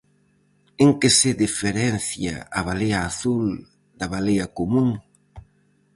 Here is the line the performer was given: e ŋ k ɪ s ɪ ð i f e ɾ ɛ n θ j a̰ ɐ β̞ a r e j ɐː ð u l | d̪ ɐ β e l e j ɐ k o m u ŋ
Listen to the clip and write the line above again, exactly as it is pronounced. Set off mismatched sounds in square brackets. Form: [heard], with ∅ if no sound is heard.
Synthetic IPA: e ŋ k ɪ s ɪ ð i f e ɾ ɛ n θ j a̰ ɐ β̞ a [l] e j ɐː [θ] u l | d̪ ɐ β [a] l e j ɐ k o m u ŋ

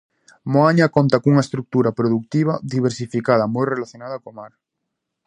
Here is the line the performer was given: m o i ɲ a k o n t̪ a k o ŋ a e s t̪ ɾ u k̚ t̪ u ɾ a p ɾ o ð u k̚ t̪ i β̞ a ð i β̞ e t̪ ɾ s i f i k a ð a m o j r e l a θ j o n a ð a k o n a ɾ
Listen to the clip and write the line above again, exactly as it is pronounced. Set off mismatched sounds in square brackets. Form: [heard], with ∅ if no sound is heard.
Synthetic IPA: m o [a] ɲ a k o n t̪ a k [u] ŋ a e s t̪ ɾ u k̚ t̪ u ɾ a p ɾ o ð u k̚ t̪ i β̞ a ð i β̞ e [∅] ɾ s i f i k a ð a m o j r e l a θ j o n a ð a k o [m] a ɾ

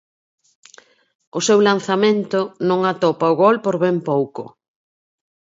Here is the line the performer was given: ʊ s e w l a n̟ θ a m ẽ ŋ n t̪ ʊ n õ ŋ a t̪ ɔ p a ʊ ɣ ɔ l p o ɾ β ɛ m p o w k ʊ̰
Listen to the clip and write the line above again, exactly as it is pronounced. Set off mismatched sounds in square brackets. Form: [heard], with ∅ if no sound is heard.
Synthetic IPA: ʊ s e w l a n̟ θ a m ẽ [∅] n t̪ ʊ n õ ŋ a t̪ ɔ p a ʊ ɣ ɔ l p o ɾ β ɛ m p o w k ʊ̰

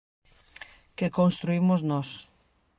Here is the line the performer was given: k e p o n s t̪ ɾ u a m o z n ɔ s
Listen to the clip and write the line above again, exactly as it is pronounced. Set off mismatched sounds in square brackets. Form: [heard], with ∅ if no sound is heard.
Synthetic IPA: k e [k] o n s t̪ ɾ u [i] m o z n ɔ s

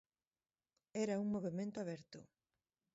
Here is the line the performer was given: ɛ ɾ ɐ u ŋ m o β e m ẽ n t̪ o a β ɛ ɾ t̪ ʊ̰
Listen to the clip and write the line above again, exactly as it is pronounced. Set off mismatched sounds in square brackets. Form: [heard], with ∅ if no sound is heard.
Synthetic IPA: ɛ ɾ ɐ u ŋ m o β e m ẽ n t̪ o a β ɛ ɾ t̪ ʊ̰

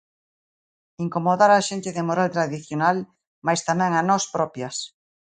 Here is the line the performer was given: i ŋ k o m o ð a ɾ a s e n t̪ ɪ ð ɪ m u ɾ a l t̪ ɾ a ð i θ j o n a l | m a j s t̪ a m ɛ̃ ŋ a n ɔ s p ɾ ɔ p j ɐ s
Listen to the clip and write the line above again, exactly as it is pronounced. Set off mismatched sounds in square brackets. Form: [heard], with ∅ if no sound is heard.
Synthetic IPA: i ŋ k o m o ð a ɾ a [ʃ] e n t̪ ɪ ð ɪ m [o] ɾ a l t̪ ɾ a ð i θ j o n a l | m a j s t̪ a m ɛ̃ ŋ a n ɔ s p ɾ ɔ p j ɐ s

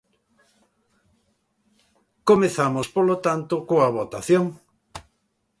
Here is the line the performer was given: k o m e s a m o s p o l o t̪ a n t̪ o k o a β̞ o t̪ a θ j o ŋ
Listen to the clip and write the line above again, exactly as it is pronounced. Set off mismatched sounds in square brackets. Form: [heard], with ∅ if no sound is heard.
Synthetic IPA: k o m e [θ] a m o s p o l o t̪ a n t̪ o k o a β̞ o t̪ a θ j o ŋ

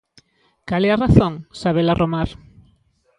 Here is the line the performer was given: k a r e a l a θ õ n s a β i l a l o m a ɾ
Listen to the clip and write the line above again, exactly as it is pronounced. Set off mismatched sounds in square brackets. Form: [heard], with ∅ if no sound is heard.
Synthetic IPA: k a [l] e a [r] a θ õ [ŋ] s a β [e] l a [r] o m a ɾ

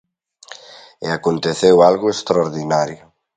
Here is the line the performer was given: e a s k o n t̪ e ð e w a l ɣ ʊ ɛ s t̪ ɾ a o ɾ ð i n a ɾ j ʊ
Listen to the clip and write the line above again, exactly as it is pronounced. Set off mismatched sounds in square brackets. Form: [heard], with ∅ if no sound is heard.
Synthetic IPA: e a [∅] k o n t̪ e [θ] e w a l ɣ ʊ [e] s t̪ ɾ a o ɾ ð i n a ɾ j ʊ

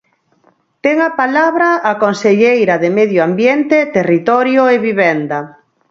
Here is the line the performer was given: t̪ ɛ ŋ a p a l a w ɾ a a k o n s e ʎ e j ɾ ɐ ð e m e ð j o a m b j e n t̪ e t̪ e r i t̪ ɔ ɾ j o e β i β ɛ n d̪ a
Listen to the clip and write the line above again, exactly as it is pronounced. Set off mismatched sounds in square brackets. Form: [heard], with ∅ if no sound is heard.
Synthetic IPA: t̪ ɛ ŋ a p a l a [β] ɾ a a k o n s e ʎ e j ɾ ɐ ð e m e ð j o a m b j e n t̪ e t̪ e r i t̪ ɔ ɾ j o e β i β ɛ n d̪ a

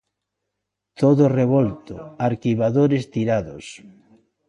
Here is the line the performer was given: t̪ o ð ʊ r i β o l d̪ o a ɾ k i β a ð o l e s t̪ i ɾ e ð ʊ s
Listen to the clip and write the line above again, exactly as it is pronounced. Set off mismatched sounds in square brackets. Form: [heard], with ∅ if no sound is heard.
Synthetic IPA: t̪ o ð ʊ r [e] β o l [t̪] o a ɾ k i β a ð o [ɾ] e s t̪ i ɾ [a] ð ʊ s

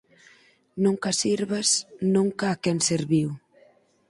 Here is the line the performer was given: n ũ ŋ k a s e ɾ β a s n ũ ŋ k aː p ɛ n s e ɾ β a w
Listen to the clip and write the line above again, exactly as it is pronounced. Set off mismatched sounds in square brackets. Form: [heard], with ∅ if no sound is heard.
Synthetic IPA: n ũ ŋ k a s [i] ɾ β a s n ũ ŋ k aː [k] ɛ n s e ɾ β [i] w

